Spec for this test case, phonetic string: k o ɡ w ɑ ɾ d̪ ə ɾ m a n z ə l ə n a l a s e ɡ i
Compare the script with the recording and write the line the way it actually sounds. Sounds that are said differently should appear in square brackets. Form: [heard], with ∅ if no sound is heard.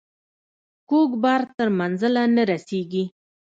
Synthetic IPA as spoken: k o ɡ [b] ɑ ɾ [t̪] ə ɾ m a n z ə l [a] n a [ɾ] a s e ɡ i